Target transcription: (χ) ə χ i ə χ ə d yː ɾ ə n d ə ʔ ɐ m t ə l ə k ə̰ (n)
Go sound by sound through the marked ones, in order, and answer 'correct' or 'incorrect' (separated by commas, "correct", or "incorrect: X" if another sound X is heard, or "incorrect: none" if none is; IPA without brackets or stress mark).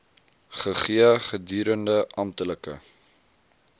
correct, incorrect: none